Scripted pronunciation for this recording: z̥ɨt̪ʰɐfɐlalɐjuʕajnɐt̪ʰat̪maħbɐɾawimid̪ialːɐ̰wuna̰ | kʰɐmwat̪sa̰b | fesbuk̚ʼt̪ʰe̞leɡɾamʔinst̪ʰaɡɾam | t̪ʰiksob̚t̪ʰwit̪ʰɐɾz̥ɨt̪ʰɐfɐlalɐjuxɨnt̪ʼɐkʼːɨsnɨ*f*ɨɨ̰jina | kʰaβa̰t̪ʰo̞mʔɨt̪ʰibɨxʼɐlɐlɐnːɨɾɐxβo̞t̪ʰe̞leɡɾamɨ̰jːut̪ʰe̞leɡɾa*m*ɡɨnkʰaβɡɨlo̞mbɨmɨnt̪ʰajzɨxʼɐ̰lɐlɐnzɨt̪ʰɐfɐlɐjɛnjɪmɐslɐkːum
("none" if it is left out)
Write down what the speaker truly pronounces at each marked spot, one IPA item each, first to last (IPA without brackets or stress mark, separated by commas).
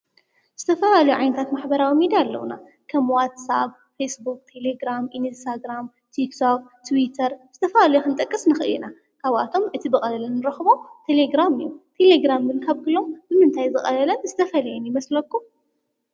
x, m